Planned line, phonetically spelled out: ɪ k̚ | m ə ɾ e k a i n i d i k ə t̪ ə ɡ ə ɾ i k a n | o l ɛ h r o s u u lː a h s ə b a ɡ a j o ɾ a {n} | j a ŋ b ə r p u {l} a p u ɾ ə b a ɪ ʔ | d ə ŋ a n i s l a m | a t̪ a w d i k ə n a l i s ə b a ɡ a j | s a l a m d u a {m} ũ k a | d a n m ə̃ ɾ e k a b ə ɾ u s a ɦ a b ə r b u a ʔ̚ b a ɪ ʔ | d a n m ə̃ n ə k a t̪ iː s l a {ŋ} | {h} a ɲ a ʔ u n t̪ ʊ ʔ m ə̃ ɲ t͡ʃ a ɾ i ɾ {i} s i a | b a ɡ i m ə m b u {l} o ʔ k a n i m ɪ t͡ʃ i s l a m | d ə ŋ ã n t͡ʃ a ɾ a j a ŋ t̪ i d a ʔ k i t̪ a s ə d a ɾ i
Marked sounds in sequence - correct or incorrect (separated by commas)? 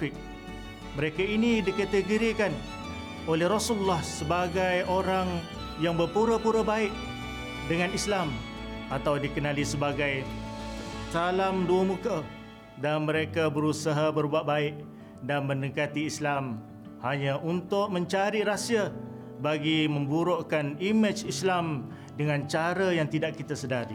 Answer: incorrect, incorrect, correct, incorrect, correct, incorrect, incorrect